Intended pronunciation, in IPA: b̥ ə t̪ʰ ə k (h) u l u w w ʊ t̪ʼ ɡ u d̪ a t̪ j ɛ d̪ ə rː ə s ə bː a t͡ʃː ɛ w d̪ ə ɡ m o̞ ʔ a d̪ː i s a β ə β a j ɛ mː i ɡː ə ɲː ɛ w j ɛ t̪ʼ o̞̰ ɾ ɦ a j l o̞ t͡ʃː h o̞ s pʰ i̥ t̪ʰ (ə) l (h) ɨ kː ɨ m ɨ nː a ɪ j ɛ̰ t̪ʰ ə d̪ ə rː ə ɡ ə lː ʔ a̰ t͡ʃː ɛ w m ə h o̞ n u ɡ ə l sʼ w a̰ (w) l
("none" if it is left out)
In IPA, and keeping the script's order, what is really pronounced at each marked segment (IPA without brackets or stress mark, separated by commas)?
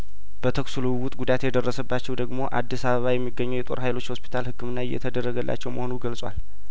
s, a, h, none